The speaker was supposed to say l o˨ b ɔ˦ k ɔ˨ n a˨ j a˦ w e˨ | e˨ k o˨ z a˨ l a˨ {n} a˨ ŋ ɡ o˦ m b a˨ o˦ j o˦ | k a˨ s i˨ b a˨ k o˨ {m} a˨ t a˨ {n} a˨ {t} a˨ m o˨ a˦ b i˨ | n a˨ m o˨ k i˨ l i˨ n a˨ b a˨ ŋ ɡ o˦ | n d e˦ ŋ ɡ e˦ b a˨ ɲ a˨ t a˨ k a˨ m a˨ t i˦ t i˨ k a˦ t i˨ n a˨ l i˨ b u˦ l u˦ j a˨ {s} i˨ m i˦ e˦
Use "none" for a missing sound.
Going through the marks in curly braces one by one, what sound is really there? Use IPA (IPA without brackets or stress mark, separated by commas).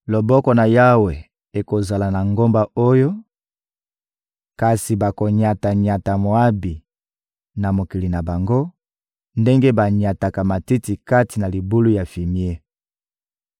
n, ɲ, ɲ, t, f